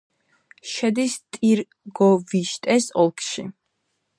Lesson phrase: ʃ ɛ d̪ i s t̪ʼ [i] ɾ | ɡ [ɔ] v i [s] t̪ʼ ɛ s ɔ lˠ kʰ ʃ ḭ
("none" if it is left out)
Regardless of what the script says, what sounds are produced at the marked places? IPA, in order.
i, ɔ, ʃ

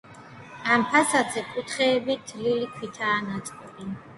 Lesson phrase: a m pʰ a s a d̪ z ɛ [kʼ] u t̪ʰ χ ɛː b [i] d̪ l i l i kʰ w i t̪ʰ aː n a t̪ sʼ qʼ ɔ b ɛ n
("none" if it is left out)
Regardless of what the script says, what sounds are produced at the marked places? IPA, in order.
kʼ, i

